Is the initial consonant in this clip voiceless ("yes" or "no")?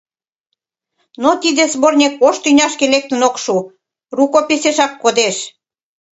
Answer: no